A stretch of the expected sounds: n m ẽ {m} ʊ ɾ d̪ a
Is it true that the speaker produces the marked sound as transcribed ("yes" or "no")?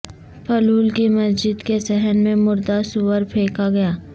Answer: yes